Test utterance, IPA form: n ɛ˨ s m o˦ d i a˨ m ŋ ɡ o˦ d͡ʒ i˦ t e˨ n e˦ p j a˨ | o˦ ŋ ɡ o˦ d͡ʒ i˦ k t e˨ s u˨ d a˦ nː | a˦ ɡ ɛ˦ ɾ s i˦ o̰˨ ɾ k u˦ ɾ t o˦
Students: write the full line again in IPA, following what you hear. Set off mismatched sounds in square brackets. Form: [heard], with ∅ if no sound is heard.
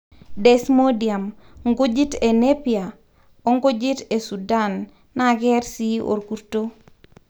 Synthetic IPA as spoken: [d] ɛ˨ s m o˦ d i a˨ m ŋ ɡ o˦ d͡ʒ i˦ t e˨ n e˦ p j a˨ | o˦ ŋ ɡ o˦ d͡ʒ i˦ [∅] t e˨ s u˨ d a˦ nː | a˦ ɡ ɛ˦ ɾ s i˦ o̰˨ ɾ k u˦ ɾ t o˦